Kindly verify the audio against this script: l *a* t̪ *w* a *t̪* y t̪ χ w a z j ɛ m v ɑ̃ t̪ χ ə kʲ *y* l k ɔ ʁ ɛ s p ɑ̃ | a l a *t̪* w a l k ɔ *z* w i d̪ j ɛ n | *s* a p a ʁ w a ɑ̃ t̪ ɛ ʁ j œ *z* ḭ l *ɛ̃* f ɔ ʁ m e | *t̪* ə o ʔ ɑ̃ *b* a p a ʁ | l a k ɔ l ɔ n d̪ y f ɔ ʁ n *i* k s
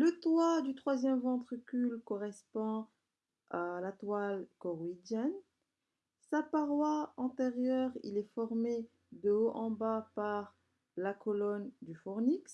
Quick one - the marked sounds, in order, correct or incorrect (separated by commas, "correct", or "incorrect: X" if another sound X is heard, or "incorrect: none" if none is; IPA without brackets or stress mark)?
incorrect: ə, correct, incorrect: d̪, correct, correct, incorrect: ʁ, correct, incorrect: ʁ, incorrect: ɛ, incorrect: d̪, correct, correct